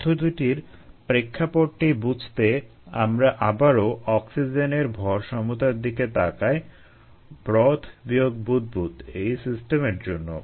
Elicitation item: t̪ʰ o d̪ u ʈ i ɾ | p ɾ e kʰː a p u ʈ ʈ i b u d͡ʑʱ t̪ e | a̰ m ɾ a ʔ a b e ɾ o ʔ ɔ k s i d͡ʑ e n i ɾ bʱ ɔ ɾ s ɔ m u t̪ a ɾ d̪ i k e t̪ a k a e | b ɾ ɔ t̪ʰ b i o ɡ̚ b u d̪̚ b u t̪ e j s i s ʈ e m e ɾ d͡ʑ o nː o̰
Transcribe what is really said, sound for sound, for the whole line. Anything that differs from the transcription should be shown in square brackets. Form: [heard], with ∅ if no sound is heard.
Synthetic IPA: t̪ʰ o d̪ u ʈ i ɾ | p ɾ e kʰː a p [o] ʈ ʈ i b u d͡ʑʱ t̪ e | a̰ m ɾ a ʔ a b [a] ɾ o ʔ ɔ k s i d͡ʑ e n [e] ɾ bʱ ɔ ɾ [ʃ] ɔ m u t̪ a ɾ d̪ i k e t̪ a k a e | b ɾ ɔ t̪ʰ b i o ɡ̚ b u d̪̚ b u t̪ e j s i s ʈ e m e ɾ d͡ʑ o nː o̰